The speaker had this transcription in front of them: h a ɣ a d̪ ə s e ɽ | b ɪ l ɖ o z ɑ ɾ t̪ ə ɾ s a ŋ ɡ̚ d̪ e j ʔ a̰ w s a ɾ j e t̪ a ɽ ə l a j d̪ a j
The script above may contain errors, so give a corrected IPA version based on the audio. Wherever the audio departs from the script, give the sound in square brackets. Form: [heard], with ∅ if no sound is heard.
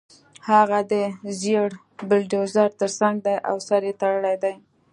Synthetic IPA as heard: h a ɣ a d̪ ə [z] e ɽ | b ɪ l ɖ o z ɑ ɾ t̪ ə ɾ s a ŋ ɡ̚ d̪ [a] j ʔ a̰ w s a ɾ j e t̪ a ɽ ə l a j d̪ a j